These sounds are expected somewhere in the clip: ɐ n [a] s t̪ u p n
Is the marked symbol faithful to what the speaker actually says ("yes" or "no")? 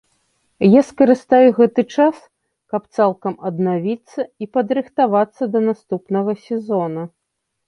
yes